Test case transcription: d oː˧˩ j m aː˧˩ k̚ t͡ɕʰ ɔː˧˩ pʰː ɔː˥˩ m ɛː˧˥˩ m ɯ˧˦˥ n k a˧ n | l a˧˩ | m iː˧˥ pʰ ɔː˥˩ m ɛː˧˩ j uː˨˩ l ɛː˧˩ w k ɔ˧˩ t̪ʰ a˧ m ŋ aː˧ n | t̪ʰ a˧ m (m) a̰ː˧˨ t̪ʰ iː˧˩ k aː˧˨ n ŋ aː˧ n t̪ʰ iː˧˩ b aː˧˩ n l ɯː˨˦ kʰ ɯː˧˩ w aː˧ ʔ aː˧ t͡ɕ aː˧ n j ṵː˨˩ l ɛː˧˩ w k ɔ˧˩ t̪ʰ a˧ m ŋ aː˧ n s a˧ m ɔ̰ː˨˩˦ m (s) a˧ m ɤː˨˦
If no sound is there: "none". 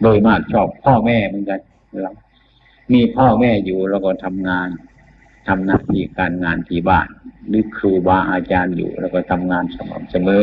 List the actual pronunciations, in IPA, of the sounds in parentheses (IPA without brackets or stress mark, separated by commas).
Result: n, s